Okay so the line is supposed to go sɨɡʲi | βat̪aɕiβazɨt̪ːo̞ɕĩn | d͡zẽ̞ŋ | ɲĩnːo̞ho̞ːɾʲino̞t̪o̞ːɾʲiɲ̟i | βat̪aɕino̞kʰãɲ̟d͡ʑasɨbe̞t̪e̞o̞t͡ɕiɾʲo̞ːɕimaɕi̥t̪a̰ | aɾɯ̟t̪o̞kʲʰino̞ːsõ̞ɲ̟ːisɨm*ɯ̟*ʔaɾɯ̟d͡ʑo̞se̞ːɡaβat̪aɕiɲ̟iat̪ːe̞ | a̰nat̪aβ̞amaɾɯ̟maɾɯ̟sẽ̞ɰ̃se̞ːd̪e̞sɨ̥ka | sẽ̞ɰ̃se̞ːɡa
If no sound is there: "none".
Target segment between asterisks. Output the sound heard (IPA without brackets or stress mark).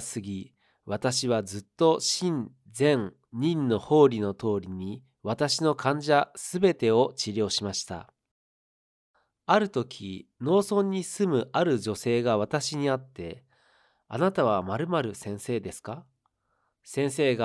ɯ̟